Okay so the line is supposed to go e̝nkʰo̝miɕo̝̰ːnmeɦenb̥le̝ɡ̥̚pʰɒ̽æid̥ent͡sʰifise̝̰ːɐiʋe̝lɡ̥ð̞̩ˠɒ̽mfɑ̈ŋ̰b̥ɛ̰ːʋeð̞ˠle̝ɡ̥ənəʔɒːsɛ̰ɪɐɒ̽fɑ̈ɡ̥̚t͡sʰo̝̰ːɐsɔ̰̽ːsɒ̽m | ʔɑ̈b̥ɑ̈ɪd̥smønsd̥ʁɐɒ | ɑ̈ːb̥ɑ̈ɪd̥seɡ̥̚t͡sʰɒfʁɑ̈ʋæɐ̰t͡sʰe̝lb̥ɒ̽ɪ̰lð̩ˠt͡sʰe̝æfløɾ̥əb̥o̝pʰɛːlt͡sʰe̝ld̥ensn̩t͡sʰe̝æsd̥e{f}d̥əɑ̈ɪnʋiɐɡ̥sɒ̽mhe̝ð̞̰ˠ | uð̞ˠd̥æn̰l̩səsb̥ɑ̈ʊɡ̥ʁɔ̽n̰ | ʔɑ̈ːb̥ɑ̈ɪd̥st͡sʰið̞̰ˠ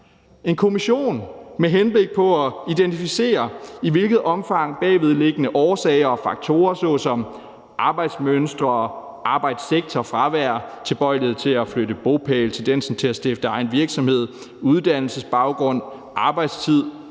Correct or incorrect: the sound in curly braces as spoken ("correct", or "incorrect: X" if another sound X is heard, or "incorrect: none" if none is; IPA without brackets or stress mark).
correct